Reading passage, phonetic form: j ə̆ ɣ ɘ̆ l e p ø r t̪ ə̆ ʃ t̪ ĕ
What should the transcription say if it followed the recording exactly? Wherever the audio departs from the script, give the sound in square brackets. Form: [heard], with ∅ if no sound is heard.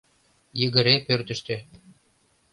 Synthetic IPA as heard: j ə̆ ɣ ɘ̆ [ɾ] e p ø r t̪ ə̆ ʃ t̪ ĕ